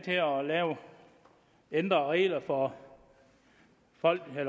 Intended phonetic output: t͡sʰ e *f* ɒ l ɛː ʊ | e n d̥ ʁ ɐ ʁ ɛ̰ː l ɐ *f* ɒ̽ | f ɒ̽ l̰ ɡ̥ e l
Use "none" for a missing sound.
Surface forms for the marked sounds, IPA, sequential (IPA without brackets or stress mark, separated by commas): none, f